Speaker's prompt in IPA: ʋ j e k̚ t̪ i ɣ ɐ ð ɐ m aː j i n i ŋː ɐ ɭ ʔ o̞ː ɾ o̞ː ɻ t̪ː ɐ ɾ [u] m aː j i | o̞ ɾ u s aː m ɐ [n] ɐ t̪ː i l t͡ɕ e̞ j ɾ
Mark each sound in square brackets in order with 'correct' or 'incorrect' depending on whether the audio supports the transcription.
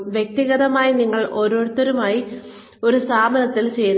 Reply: correct, correct

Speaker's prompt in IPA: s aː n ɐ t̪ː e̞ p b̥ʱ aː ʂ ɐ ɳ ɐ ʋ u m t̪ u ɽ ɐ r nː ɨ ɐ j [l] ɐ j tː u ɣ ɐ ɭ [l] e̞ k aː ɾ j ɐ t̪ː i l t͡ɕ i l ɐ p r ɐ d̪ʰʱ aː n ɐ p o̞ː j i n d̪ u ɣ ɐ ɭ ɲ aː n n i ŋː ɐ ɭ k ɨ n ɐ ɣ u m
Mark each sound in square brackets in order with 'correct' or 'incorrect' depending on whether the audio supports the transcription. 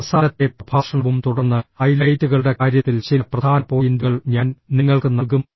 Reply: correct, incorrect: ɽ

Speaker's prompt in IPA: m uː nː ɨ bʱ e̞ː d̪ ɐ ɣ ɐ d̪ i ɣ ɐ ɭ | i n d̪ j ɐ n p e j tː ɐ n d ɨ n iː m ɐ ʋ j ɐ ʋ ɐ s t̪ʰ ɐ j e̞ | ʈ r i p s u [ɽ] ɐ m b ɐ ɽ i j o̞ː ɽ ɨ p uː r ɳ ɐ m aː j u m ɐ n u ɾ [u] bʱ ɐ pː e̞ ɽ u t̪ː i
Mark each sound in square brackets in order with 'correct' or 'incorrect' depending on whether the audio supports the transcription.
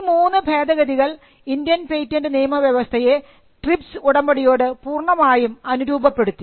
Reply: correct, incorrect: uː

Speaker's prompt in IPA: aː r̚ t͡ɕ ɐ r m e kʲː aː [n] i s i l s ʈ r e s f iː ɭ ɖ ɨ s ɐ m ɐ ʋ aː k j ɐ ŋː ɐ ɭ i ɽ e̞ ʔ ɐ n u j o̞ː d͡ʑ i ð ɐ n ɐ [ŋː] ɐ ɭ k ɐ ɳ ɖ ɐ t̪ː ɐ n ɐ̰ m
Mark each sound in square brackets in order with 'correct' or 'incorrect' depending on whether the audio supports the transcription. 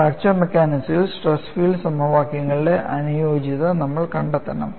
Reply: correct, incorrect: mː

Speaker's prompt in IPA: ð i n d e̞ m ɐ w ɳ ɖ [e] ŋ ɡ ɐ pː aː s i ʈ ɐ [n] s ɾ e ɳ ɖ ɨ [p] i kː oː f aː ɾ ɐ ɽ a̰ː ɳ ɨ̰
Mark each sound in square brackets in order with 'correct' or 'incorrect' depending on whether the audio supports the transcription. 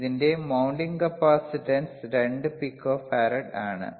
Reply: incorrect: i, correct, correct

